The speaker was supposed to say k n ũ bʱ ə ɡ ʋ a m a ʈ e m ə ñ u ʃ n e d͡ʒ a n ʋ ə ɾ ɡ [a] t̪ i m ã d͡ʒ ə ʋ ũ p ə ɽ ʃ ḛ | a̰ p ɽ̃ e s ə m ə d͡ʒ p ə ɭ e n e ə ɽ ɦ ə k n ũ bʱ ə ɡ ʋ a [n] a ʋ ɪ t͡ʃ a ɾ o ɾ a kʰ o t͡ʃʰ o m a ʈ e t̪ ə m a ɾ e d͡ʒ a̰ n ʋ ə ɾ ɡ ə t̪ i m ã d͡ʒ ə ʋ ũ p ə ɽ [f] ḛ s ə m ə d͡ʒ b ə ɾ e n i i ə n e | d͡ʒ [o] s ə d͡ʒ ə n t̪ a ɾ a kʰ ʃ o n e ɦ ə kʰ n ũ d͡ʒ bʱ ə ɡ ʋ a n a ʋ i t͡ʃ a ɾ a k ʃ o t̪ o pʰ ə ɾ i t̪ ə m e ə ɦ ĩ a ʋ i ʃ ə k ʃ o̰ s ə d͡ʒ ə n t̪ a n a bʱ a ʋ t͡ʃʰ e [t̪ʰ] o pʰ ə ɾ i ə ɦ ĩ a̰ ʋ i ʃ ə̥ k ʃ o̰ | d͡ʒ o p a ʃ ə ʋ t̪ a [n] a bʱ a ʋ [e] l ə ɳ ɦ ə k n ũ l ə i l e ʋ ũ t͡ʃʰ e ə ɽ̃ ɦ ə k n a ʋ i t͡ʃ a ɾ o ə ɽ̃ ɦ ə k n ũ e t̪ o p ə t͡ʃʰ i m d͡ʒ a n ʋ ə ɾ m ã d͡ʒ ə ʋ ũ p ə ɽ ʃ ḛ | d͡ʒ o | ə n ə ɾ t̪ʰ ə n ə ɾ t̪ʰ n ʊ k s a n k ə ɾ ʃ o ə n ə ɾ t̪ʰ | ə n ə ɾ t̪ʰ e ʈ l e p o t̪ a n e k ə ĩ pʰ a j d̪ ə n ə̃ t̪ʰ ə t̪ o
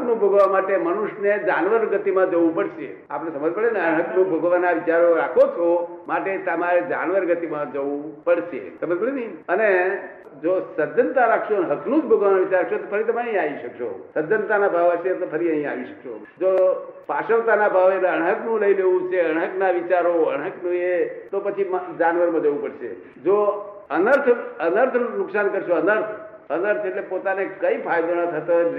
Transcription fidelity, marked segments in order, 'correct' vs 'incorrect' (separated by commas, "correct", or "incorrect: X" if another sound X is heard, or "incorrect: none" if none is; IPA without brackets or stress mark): incorrect: ə, correct, incorrect: ʃ, correct, incorrect: t̪, correct, correct